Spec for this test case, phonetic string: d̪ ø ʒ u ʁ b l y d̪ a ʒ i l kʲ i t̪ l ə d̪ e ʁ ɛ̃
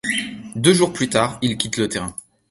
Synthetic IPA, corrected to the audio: d̪ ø ʒ u ʁ p l y t̪ a ʁ i l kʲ i t̪ l ə t̪ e ʁ ɛ̃